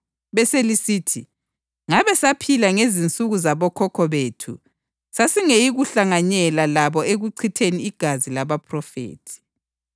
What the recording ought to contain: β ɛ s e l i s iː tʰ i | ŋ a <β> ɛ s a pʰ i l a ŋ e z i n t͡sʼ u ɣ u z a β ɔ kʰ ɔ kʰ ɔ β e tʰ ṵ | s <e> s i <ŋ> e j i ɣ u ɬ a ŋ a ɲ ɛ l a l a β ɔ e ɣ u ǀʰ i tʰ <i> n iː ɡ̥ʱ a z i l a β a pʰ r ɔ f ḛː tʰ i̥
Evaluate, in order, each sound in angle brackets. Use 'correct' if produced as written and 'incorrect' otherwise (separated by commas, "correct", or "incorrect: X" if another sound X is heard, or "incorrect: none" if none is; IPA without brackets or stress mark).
correct, incorrect: a, correct, incorrect: e